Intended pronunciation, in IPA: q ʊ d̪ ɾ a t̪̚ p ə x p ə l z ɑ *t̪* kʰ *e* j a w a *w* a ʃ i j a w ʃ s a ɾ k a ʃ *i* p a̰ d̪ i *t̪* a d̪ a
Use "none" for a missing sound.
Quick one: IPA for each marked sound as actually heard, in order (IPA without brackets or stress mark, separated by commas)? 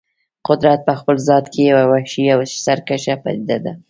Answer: t̪, e, w, a, d̪